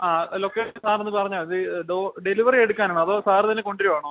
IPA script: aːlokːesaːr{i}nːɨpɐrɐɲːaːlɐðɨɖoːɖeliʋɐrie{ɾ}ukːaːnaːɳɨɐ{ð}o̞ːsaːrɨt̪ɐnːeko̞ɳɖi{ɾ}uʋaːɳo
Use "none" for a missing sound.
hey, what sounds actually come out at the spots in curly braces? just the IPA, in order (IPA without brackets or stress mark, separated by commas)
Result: e, ɽ, ð, ɾ